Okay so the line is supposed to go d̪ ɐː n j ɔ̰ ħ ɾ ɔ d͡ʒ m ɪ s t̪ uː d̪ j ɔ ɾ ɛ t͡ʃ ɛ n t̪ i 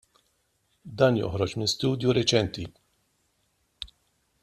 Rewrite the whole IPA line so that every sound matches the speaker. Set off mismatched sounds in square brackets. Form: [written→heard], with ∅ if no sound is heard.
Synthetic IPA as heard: d̪ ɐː n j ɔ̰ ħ ɾ ɔ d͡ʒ m ɪ s t̪ uː d̪ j [ɔ→u] ɾ ɛ t͡ʃ ɛ n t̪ i

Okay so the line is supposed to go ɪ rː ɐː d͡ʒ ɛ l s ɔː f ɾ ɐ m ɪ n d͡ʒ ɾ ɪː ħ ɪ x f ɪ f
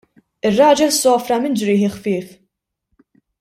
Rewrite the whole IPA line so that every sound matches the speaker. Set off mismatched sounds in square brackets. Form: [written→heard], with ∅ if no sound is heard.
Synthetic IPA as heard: ɪ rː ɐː d͡ʒ ɛ l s ɔː f ɾ ɐ m ɪ n d͡ʒ ɾ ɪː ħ ɪ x f [ɪ→ɪː] f

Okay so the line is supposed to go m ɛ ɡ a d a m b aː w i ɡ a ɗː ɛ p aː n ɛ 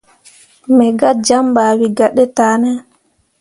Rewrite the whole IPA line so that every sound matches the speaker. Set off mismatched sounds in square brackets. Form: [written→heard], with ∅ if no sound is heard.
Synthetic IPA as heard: m ɛ ɡ a [d→d͡ʒ] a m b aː w i ɡ a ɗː ɛ [p→t] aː n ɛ

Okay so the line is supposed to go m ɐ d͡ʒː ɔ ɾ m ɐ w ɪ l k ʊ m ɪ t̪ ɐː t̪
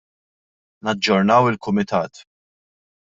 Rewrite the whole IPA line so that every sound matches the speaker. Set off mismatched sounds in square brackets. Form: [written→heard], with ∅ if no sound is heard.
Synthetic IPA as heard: [m→n] ɐ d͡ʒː ɔ ɾ [m→n] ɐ w ɪ l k ʊ m ɪ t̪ ɐː t̪

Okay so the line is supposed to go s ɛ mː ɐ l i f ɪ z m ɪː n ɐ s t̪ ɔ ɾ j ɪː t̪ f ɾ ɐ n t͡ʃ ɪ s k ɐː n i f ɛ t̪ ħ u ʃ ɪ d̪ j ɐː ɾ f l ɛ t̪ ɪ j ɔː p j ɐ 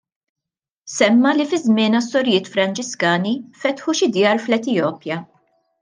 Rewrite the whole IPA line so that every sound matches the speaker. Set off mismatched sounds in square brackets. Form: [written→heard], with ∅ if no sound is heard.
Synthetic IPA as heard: s ɛ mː ɐ l i f ɪ z m ɪː n ɐ s t̪ ɔ ɾ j ɪː t̪ f ɾ ɐ n t͡ʃ ɪ s k ɐː n i f ɛ t̪ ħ u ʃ ɪ d̪ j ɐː ɾ f l ɛ t̪ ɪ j ɔː p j ɐ

